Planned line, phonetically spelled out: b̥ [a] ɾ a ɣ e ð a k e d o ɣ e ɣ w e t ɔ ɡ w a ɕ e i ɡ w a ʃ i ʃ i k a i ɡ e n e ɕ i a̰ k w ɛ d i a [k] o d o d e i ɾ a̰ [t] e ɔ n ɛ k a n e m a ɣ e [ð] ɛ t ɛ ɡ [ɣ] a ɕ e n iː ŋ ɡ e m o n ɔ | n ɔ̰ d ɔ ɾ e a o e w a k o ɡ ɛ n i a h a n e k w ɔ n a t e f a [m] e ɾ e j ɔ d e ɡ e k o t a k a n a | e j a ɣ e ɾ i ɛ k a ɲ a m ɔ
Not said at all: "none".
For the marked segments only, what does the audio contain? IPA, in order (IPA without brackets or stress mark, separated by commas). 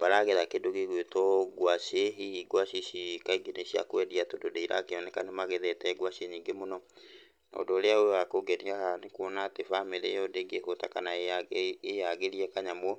a, t, k, ð, w, m